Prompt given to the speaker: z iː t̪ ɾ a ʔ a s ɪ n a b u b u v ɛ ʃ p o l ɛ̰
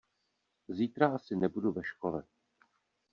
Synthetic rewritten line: z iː t̪ ɾ a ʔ a s ɪ n ɛ b u d u v ɛ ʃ k o l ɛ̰